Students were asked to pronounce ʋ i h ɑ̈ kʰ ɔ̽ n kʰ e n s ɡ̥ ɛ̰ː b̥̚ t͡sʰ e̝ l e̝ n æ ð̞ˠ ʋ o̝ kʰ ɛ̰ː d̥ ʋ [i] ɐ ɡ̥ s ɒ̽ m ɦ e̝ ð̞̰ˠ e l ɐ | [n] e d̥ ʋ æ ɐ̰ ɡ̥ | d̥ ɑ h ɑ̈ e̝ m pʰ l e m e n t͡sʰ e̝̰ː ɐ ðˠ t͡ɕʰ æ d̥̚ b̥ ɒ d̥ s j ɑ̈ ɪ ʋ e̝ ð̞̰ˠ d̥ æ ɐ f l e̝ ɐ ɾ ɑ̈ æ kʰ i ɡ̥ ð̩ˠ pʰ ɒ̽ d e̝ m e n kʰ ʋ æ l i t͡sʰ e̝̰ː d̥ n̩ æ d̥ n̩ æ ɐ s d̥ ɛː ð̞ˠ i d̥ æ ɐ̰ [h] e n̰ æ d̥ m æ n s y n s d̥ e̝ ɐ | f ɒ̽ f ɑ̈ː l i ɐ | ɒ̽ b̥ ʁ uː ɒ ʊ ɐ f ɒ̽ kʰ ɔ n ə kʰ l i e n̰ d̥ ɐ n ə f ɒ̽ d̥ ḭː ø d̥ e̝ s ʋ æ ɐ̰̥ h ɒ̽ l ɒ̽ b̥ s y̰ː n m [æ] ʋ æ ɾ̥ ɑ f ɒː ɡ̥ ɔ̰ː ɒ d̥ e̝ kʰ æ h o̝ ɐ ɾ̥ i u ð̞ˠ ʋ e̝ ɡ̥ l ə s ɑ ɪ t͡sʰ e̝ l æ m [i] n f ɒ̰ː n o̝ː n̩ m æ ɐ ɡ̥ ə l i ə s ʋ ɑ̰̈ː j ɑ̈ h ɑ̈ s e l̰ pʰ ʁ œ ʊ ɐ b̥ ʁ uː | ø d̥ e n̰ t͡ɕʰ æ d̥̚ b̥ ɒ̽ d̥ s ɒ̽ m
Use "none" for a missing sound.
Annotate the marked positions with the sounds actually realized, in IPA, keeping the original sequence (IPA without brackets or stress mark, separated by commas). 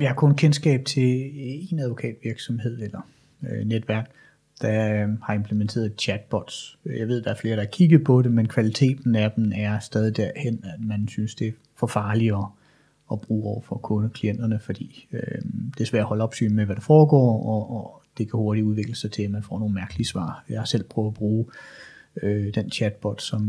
i, n, h, e, æ